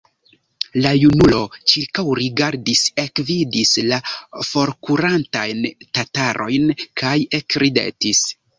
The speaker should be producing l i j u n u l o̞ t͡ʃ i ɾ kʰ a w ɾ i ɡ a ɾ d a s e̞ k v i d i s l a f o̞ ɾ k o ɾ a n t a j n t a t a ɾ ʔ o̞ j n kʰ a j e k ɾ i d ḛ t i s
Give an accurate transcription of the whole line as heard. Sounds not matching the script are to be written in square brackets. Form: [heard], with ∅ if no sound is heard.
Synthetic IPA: l [a] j u n u l o̞ t͡ʃ i ɾ [k] a w ɾ i ɡ a ɾ d [i] s e̞ k v i d i s l a f o̞ ɾ k [u] ɾ a n t a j n t a t a ɾ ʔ o̞ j n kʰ a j e k ɾ i d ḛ t i s